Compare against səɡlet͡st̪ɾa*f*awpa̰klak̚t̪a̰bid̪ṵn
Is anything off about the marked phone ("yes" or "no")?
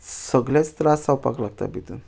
yes